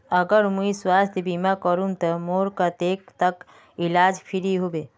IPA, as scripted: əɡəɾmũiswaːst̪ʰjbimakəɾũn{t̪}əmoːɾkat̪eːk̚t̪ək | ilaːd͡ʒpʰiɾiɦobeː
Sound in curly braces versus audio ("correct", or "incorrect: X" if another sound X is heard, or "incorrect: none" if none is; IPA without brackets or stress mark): correct